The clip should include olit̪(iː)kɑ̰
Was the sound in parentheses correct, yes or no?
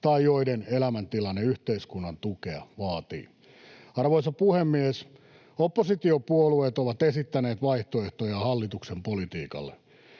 yes